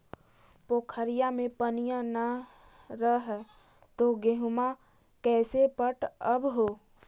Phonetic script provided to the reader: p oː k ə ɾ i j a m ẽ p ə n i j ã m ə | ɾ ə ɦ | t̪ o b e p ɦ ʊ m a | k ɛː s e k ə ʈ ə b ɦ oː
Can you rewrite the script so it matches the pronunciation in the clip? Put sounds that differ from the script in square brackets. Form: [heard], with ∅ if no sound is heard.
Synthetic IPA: p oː [kʰ] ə ɾ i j a m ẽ p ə n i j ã [n] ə | ɾ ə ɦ | t̪ o [ɡ] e [∅] ɦ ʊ m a | k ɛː s e [p] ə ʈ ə b ɦ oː